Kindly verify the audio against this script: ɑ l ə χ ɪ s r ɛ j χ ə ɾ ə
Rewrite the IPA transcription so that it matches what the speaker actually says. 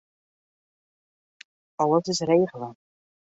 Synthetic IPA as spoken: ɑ l ə s ɪ s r e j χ ə l ə